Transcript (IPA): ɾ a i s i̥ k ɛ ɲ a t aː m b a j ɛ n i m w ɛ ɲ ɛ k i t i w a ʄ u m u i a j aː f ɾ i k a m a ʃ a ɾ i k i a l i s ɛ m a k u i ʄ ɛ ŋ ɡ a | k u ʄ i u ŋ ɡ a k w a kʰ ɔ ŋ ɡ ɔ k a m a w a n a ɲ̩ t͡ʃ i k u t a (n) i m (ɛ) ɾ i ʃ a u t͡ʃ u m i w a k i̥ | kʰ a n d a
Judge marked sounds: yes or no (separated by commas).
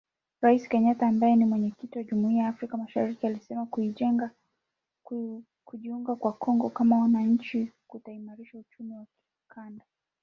no, no